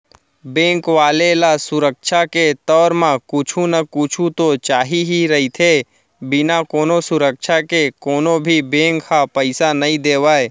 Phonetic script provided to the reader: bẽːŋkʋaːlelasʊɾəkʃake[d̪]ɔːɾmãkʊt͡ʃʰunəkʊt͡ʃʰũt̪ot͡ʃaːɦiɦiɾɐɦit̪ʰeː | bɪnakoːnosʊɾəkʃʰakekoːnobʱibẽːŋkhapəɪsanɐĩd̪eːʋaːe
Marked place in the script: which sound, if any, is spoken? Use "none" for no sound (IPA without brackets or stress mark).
t̪